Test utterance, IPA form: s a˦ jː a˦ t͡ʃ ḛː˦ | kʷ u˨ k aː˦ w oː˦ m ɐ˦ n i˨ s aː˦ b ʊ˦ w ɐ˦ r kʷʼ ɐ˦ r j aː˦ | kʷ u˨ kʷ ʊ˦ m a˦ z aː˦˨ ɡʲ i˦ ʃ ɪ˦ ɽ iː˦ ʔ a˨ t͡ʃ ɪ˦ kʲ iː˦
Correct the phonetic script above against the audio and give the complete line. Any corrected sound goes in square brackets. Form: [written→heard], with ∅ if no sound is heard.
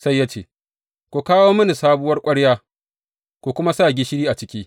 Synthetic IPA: s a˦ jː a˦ t͡ʃ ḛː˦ | kʷ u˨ k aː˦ w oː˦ m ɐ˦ n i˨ s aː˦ b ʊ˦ w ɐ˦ r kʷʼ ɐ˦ [r→ɽ] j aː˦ | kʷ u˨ kʷ ʊ˦ m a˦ [z→s] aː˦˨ ɡʲ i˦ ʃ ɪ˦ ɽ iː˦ ʔ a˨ t͡ʃ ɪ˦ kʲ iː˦